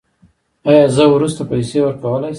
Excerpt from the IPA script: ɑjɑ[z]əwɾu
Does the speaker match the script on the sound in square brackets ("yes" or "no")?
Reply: yes